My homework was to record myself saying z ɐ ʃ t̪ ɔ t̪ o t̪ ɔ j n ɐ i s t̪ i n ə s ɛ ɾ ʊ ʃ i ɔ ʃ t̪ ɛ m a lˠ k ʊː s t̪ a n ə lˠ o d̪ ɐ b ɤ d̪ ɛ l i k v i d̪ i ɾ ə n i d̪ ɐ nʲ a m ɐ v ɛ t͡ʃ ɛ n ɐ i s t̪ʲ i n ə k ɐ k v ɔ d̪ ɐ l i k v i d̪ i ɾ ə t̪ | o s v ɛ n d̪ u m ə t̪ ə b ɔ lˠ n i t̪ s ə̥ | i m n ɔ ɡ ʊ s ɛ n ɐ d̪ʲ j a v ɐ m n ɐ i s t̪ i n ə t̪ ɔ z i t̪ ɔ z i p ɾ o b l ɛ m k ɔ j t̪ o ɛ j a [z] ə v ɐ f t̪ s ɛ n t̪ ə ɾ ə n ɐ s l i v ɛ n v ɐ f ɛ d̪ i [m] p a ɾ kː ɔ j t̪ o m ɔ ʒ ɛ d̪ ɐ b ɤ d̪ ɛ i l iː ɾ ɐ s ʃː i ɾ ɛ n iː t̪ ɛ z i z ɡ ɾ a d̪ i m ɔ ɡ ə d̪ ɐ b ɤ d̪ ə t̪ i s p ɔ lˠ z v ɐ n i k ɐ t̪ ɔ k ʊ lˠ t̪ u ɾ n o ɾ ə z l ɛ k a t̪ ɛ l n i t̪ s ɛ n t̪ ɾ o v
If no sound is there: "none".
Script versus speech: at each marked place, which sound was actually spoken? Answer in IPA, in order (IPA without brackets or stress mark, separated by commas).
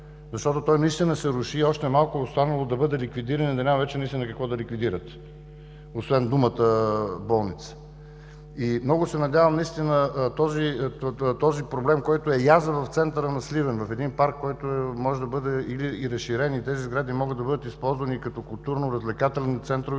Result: z, n